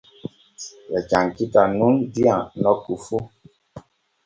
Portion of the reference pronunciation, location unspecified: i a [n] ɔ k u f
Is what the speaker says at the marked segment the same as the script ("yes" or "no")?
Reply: yes